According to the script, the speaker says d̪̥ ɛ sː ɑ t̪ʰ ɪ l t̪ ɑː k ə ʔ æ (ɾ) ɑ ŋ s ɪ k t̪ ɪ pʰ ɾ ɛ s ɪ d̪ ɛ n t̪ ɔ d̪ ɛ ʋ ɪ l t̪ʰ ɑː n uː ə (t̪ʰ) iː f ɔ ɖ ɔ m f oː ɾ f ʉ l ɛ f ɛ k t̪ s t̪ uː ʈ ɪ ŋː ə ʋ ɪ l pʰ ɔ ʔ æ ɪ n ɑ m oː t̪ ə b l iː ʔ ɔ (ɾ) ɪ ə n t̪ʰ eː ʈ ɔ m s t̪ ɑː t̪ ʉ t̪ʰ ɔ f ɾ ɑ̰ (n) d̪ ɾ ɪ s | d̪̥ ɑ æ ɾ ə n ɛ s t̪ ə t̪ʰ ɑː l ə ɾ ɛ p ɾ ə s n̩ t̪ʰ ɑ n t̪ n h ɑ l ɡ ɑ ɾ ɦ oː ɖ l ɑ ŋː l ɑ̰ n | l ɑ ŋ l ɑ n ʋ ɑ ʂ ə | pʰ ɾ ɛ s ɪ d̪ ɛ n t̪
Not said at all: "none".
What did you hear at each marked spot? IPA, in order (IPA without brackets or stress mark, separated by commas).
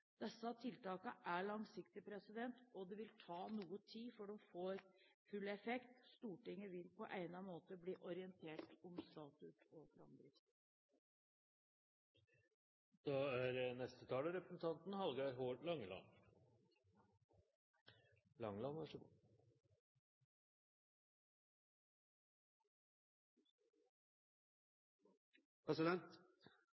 ɭ, t̪ʰ, ɾ, m